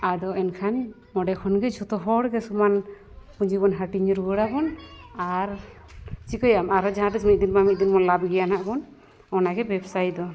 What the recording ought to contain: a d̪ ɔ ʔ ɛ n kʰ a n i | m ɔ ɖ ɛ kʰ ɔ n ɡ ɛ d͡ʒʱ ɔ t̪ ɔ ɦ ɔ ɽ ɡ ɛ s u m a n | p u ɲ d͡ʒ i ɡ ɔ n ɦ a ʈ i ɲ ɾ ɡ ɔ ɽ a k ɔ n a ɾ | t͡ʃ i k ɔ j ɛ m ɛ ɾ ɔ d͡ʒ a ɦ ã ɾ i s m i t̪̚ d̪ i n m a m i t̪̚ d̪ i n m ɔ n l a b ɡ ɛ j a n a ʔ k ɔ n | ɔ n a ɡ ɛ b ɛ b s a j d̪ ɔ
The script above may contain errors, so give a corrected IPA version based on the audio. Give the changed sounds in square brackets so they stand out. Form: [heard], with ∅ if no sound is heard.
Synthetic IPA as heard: a d̪ ɔ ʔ ɛ n kʰ a n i | m ɔ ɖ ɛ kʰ ɔ n ɡ ɛ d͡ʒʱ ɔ t̪ ɔ ɦ ɔ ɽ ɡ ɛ s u m a n | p u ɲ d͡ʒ i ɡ ɔ n ɦ a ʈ i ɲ ɾ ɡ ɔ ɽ a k ɔ n a ɾ | t͡ʃ i k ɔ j [a] m [a] ɾ ɔ d͡ʒ a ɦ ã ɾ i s m i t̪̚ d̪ i n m a m i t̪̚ d̪ i n m ɔ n l a b ɡ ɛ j a n a ʔ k ɔ n | ɔ n a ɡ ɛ b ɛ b s a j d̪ ɔ